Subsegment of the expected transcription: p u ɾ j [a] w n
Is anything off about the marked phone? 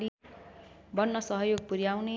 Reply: no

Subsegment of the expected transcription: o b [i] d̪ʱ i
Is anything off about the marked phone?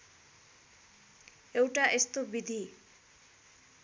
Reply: no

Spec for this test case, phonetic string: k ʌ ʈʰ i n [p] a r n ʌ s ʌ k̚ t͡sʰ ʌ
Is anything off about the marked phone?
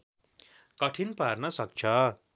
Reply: no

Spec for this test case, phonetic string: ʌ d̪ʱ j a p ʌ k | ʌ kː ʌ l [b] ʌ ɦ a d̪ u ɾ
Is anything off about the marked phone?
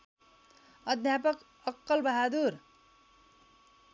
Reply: no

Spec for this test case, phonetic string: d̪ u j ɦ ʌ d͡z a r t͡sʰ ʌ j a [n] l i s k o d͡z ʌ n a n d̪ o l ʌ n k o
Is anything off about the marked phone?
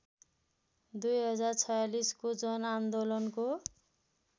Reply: yes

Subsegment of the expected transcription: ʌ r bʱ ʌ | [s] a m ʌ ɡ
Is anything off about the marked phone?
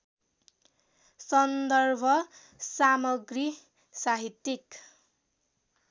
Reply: no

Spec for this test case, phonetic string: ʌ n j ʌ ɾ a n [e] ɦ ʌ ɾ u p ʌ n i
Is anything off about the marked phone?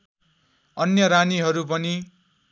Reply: yes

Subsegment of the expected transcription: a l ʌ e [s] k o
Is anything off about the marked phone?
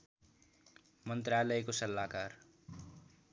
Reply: yes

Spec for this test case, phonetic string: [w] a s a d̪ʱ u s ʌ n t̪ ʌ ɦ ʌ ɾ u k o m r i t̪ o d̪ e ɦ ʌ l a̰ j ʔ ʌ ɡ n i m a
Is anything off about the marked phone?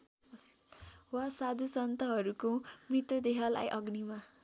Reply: no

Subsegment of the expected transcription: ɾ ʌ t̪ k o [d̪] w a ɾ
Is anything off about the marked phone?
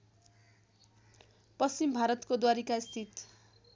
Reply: no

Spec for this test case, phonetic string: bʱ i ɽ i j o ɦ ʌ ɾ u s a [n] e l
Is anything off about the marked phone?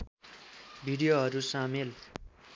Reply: yes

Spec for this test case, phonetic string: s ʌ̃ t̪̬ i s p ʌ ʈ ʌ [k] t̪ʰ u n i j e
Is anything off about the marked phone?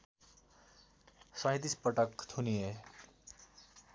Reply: no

